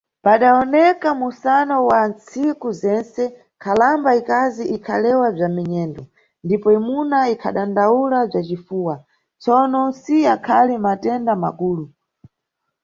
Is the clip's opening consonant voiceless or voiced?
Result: voiceless